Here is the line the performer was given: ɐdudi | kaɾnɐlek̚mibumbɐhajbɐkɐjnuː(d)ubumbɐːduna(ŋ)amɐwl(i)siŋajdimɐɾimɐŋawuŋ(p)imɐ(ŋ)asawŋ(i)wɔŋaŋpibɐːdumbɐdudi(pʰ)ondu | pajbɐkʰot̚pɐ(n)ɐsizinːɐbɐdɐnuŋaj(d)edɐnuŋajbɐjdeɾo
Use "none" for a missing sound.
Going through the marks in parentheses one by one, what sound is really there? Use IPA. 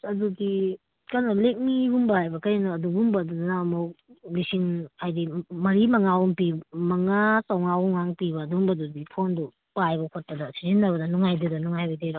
d, n, i, p, ŋ, a, pʰ, d, d

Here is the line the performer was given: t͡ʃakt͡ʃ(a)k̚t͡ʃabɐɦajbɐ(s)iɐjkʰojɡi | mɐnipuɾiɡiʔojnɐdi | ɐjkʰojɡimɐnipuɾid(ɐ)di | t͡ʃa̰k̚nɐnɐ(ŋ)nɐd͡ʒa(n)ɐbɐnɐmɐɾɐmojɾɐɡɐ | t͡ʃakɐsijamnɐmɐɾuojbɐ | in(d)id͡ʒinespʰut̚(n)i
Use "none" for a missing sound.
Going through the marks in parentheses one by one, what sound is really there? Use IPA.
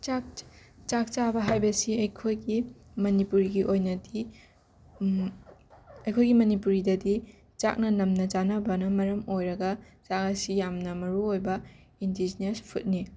a, s, ɐ, m, n, d, n

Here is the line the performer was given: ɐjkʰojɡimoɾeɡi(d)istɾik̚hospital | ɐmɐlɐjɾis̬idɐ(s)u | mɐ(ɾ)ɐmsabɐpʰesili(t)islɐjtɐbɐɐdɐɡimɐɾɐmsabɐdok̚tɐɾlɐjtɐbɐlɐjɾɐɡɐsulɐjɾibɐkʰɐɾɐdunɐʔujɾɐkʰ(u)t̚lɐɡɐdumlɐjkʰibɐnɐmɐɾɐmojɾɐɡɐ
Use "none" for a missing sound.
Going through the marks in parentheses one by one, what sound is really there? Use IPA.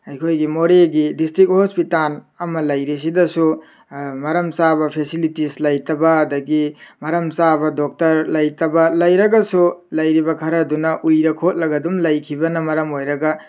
d, s, ɾ, t, o

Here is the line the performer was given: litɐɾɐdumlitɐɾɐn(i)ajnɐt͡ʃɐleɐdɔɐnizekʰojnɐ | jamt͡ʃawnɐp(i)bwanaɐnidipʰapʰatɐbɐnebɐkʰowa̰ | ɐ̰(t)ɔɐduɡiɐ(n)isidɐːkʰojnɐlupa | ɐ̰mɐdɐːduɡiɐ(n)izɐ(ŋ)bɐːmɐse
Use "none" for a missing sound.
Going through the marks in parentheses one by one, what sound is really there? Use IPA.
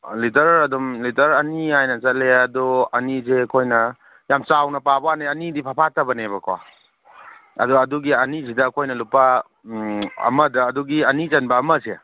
i, a, d, n, n, n

